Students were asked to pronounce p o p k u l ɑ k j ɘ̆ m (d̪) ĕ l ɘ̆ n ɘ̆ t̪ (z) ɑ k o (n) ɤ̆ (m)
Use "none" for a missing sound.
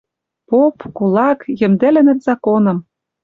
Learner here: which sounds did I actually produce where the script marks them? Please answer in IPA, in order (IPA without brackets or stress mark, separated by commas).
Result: d̪, z, n, m